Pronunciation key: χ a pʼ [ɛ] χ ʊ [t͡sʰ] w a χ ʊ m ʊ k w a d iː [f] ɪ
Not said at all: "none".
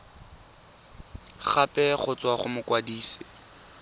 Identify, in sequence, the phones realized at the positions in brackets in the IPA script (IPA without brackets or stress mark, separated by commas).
ɛ, t͡s, s